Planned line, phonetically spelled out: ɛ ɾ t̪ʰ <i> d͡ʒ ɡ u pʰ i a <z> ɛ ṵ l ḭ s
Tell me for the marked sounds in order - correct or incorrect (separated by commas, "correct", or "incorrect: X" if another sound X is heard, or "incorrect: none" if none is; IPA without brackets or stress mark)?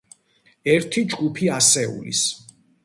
correct, incorrect: s